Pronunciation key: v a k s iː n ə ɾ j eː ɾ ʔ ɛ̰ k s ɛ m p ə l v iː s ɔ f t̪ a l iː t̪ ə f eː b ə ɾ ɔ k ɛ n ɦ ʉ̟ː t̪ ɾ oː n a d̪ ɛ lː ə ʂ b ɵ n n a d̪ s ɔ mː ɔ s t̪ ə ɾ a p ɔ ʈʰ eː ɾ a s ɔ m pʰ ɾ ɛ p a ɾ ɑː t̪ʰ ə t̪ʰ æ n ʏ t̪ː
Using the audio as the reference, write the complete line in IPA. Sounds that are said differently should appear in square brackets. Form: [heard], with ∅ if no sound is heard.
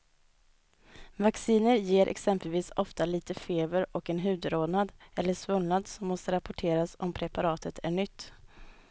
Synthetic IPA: v a k s iː n ə ɾ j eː ɾ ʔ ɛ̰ k s ɛ m p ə l v iː s ɔ f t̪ a l iː t̪ ə f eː b ə ɾ ɔ k ɛ n ɦ ʉ̟ː [d̪] ɾ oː n a d̪ ɛ lː ə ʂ [v] ɵ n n a d̪ s ɔ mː ɔ s t̪ ə ɾ a p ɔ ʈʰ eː ɾ a s ɔ m pʰ ɾ ɛ p a ɾ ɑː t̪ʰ ə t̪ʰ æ [ɳ] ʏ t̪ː

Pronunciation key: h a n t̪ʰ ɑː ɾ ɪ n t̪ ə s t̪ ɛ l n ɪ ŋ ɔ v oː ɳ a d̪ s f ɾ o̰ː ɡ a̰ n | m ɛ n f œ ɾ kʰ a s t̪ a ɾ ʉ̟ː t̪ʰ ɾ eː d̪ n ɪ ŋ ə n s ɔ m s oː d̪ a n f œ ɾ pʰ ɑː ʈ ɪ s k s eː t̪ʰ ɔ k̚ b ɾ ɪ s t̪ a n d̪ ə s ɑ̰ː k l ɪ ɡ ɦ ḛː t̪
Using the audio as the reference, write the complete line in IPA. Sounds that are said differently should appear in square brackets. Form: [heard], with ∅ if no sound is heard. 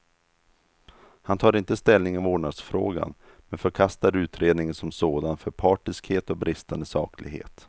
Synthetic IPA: h a n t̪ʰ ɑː ɾ ɪ n t̪ ə s t̪ ɛ l n ɪ ŋ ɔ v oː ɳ a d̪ s f ɾ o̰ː ɡ a̰ n | m ɛ n f œ ɾ kʰ a s t̪ a ɾ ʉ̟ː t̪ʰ ɾ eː d̪ n ɪ ŋ ə n s ɔ m s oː d̪ a n f œ ɾ pʰ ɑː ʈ ɪ s k [h] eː [t̪] ɔ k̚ b ɾ ɪ s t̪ a n d̪ ə s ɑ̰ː k l ɪ ɡ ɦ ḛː t̪

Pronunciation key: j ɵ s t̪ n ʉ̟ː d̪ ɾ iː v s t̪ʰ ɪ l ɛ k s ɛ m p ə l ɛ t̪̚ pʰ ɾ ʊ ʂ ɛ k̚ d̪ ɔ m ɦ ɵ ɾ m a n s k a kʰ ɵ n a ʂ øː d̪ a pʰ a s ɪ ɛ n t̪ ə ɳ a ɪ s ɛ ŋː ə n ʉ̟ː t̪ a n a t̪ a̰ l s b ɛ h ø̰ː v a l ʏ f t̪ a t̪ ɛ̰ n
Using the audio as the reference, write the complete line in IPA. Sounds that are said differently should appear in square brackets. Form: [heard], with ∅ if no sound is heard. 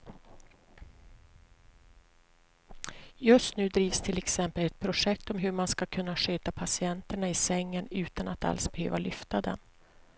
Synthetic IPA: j ɵ s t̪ n ʉ̟ː d̪ ɾ iː v s t̪ʰ ɪ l ɛ k s ɛ m p ə l ɛ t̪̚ pʰ ɾ ʊ ʂ ɛ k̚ [t̪] ɔ m ɦ ɵ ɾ m a n s k a kʰ ɵ [nː] a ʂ øː [t̪] a pʰ a s ɪ ɛ n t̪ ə ɳ a ɪ s ɛ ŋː ə n ʉ̟ː t̪ a n a t̪ a̰ l s b ɛ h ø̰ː v a l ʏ f t̪ a [d̪] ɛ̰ n

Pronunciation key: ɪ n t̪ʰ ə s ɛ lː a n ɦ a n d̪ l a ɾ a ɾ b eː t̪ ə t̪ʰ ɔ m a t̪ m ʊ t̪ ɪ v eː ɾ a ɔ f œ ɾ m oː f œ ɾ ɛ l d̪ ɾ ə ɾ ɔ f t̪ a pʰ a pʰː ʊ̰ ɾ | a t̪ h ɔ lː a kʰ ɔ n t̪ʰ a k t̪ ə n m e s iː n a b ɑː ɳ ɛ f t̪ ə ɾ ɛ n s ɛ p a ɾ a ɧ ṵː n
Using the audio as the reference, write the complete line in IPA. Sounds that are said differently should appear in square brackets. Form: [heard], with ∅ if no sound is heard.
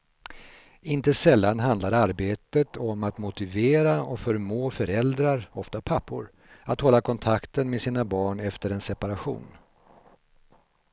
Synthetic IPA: ɪ n [t̪] ə s ɛ lː a n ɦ a n d̪ l a ɾ a ɾ b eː t̪ ə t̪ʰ ɔ m a t̪ m ʊ t̪ ɪ v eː ɾ a ɔ f œ ɾ m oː f œ ɾ ɛ l d̪ ɾ [a] ɾ ɔ f t̪ a pʰ a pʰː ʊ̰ ɾ | a t̪ h ɔ lː a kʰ ɔ n t̪ʰ a k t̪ ə n m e s iː n a b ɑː ɳ ɛ f t̪ ə ɾ ɛ n s ɛ p a ɾ a ɧ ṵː n

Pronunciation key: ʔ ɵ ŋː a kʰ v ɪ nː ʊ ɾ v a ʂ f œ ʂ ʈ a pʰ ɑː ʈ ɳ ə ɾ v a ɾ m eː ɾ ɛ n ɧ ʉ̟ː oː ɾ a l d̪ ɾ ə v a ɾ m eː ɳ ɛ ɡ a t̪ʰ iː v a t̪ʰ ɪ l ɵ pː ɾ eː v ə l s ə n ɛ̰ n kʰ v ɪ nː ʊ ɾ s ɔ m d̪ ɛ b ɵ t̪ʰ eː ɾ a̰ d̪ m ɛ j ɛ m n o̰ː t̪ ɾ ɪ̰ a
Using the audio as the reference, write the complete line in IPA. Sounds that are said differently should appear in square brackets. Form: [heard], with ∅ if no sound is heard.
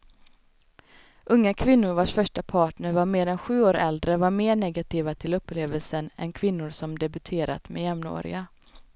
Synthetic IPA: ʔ ɵ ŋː a kʰ v ɪ nː ʊ ɾ v a ʂ f œ ʂ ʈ a pʰ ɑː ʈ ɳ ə ɾ v a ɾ m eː ɾ ɛ n ɧ ʉ̟ː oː ɾ [ɛ] l d̪ ɾ ə v a ɾ m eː ɳ ɛ ɡ a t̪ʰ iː v a t̪ʰ ɪ l ɵ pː [l] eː v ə l s ə n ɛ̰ n kʰ v ɪ nː ʊ ɾ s ɔ m d̪ ɛ b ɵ t̪ʰ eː ɾ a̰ [t̪] m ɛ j ɛ m n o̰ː [∅] ɾ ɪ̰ a

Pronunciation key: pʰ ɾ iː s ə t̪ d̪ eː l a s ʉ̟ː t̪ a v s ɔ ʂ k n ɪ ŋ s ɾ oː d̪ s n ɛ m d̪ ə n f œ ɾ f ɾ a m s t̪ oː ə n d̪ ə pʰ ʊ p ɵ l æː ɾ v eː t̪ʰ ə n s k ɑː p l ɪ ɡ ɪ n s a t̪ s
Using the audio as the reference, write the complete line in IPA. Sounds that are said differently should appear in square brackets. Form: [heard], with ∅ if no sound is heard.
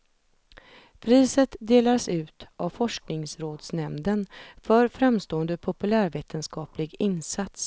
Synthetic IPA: pʰ ɾ iː s ə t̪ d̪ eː l a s ʉ̟ː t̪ a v [f] ɔ ʂ k n ɪ ŋ s ɾ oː d̪ s n ɛ m d̪ ə n f œ ɾ f ɾ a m s t̪ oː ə n d̪ ə pʰ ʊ p ɵ l æː ɾ v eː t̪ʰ ə n s k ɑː p l ɪ ɡ ɪ n s a t̪ s

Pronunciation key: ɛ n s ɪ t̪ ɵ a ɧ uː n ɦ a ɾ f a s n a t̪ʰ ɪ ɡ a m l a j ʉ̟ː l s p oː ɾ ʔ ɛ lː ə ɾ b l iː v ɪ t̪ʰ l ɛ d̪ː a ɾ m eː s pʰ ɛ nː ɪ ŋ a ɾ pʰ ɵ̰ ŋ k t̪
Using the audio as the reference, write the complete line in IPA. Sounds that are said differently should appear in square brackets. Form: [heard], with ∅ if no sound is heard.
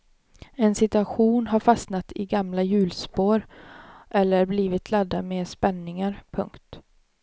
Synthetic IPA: ɛ n s ɪ t̪ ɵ a ɧ uː n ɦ a ɾ f a s n a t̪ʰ ɪ ɡ a m l a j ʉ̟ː l s p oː ɾ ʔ ɛ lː ə ɾ b l iː v ɪ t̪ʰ l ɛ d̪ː a [∅] m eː s [p] ɛ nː ɪ ŋ a ɾ pʰ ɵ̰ ŋ k t̪

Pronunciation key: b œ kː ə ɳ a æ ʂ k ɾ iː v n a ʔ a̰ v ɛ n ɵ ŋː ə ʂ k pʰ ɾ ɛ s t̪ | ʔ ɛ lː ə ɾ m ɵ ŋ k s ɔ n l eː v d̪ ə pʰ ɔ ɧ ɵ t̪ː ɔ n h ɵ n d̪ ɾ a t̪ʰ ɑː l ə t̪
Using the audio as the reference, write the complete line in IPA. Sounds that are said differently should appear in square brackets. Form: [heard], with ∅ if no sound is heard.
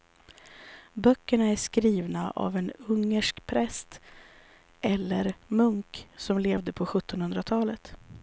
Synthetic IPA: b œ kː ə ɳ a æ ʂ k ɾ iː v n a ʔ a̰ v ɛ n ɵ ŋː ə ʂ k pʰ ɾ ɛ s t̪ | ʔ ɛ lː ə ɾ m ɵ ŋ k s ɔ [m] l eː v d̪ ə pʰ ɔ ɧ ɵ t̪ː ɔ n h ɵ n d̪ ɾ a t̪ʰ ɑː l ə t̪

